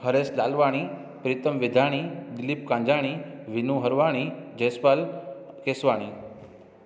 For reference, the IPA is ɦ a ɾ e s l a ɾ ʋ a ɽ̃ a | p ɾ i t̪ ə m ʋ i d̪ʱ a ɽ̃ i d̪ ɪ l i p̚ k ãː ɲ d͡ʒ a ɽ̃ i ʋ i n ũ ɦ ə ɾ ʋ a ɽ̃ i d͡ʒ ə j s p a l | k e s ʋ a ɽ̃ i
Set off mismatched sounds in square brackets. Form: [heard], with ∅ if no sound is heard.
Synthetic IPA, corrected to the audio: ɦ [ə] ɾ e s l a [l] ʋ a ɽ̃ [i] | p ɾ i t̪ ə m ʋ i d̪ʱ a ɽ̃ i d̪ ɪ l i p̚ k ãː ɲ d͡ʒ a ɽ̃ i ʋ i n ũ ɦ ə ɾ ʋ a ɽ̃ i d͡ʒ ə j s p a l | k e s ʋ a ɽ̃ i